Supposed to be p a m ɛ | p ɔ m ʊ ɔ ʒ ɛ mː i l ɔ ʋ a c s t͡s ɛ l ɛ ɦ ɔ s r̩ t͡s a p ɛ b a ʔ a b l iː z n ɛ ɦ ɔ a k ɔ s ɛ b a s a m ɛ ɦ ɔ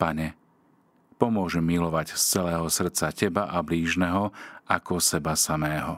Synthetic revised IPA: p a ɲ ɛ | p ɔ m ʊ ɔ ʒ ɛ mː i l ɔ ʋ a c s t͡s ɛ l ɛː ɦ ɔ s r̩ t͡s a c ɛ b a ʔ a b l iː ʒ n ɛ ɦ ɔ a k ɔ s ɛ b a s a m ɛː ɦ ɔ